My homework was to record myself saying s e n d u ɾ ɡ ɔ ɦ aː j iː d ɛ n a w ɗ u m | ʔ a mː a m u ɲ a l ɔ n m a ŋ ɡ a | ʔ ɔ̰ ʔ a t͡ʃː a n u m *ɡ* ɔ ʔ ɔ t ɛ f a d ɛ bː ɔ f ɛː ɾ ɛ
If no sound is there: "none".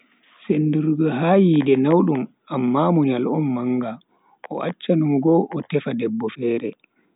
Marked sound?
ɡ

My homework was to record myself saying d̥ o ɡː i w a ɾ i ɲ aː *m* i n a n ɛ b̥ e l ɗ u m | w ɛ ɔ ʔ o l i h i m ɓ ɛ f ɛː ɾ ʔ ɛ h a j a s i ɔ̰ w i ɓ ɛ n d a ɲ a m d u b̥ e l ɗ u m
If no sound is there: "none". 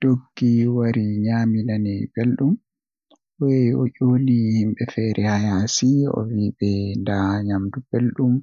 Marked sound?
m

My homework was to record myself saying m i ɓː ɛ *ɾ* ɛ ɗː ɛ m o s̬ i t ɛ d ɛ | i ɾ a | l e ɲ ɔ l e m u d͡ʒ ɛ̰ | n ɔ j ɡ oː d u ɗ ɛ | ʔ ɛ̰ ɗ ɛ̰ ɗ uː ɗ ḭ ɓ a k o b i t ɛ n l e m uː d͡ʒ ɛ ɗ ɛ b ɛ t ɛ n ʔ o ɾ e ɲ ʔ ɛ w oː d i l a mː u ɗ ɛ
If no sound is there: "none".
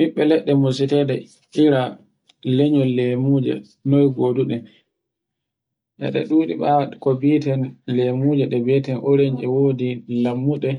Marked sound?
l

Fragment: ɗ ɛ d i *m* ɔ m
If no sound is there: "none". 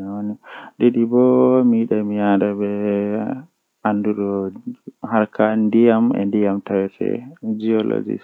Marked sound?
b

